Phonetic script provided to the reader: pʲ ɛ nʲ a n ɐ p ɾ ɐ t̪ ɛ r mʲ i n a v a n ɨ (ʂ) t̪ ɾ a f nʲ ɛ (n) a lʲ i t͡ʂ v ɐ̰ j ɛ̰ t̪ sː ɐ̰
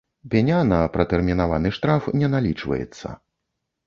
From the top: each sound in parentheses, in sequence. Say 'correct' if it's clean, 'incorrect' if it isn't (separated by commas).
correct, correct